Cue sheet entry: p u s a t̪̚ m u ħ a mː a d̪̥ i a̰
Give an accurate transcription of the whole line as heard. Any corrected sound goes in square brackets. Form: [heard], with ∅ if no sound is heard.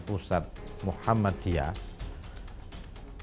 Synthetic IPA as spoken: p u s a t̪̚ m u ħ a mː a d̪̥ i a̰